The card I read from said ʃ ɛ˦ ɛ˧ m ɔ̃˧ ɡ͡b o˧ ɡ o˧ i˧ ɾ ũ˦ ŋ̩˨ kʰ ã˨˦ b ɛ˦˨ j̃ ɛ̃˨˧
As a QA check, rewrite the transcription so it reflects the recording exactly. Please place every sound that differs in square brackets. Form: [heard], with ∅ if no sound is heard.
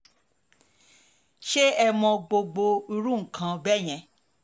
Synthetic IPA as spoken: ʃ [e˦] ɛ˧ m ɔ̃˧ ɡ͡b o˧ [ɡ͡b] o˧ i˧ ɾ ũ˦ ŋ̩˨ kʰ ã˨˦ b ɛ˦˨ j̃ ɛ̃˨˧

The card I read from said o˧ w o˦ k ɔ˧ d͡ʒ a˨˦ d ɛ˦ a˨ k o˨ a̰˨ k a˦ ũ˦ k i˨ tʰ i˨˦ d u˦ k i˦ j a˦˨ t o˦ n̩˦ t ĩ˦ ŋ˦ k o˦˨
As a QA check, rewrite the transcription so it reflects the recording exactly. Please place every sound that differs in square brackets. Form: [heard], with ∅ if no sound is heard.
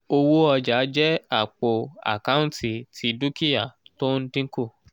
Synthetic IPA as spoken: o˧ w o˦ [∅] ɔ˧ d͡ʒ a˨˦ [d͡ʒ] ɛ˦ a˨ [k͡p] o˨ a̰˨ k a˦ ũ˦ [t] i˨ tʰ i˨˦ d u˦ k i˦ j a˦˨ t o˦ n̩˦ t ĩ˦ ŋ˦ k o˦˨

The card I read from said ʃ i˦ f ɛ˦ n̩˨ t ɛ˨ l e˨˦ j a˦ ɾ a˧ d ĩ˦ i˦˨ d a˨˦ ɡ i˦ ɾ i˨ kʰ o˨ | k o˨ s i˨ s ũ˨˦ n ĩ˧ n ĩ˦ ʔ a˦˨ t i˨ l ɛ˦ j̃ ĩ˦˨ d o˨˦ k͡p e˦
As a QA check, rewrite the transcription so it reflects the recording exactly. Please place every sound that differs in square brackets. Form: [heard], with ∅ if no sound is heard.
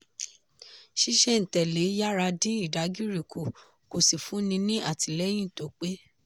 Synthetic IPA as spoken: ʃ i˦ [ʃ] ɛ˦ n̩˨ t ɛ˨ l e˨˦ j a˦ ɾ a˧ d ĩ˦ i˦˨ d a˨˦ ɡ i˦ ɾ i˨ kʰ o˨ | k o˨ s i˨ [f] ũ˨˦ n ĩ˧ n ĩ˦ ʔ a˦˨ t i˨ l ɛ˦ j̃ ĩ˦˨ [t] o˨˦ k͡p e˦

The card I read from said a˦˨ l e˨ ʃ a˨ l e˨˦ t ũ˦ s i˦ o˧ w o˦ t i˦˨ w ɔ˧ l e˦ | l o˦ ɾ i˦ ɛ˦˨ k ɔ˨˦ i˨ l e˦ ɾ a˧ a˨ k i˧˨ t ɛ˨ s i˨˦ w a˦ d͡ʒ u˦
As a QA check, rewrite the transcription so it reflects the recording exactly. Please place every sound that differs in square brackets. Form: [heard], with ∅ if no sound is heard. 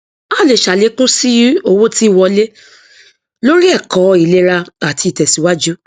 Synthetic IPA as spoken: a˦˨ l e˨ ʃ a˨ l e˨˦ [k] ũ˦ s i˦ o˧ w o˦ t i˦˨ w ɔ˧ l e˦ | l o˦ ɾ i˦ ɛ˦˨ k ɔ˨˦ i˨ l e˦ ɾ a˧ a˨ [t] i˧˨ t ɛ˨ s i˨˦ w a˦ d͡ʒ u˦

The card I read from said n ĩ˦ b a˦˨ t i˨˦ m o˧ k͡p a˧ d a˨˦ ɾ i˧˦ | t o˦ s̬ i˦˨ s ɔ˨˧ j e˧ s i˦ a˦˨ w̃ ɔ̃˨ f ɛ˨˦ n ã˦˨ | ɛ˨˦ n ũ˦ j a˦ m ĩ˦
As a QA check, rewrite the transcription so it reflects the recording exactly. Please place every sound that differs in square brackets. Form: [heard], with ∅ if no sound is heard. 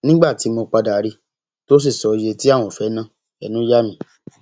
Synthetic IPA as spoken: n ĩ˦ [ɡ͡b] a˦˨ t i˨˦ m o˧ k͡p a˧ d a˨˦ ɾ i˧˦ | t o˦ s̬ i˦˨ s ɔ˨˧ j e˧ [t] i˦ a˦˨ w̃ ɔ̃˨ f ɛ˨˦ n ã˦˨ | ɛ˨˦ n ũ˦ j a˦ m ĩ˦

